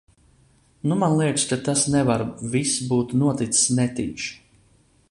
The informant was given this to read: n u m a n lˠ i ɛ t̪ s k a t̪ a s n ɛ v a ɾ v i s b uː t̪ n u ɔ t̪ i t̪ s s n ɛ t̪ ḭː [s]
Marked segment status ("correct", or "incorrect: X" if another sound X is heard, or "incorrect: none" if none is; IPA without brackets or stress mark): incorrect: ʃ